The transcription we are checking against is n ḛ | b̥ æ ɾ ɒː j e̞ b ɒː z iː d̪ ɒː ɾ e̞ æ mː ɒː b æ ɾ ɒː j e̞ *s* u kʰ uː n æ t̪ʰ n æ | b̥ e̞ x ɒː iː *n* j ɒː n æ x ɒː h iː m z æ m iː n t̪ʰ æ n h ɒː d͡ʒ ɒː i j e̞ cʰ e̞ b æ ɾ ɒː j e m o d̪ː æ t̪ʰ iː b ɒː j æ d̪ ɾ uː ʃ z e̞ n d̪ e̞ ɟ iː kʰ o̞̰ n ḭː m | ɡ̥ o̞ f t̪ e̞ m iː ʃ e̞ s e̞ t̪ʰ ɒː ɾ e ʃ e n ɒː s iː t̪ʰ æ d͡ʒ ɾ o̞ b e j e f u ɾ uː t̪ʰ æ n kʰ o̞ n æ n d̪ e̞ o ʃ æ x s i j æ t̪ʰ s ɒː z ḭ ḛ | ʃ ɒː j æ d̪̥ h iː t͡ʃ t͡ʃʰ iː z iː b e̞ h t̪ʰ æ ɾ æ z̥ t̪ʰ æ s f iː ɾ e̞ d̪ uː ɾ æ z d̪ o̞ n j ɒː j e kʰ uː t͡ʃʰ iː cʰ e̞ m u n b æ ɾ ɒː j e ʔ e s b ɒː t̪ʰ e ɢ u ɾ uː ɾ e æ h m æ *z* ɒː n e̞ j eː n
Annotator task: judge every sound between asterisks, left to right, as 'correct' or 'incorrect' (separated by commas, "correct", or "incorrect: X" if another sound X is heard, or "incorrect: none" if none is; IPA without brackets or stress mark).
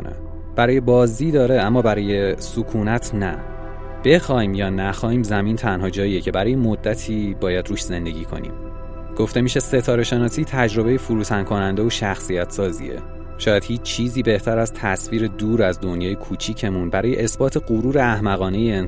correct, incorrect: m, incorrect: ɣ